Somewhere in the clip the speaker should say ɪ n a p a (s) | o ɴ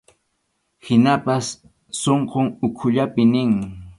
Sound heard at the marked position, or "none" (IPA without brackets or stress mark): sː